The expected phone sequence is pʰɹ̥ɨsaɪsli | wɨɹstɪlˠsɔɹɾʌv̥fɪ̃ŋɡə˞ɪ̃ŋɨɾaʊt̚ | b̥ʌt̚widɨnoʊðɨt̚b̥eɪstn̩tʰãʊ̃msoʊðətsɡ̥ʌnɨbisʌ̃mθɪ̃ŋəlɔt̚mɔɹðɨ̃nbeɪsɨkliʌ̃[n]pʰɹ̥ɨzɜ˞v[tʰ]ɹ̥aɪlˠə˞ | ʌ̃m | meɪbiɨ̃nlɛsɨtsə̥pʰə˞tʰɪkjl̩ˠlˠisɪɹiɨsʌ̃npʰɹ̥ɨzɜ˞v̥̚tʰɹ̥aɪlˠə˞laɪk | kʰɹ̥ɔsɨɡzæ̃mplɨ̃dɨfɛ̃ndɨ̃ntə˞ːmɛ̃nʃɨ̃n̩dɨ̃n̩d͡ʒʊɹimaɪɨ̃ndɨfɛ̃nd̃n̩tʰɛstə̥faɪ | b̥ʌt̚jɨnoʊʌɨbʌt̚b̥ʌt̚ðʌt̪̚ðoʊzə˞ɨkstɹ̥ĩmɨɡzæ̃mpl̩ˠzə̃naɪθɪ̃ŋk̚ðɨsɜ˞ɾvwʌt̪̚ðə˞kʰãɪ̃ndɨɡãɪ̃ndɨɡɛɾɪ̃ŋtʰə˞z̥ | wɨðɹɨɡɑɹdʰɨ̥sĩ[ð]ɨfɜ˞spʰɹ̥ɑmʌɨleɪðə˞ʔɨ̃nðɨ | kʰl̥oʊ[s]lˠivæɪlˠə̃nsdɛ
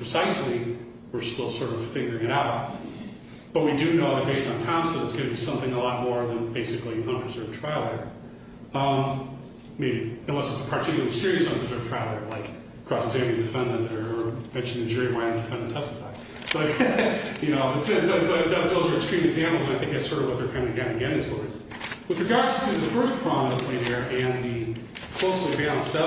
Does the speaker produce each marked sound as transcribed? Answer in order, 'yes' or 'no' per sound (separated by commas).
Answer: yes, yes, yes, yes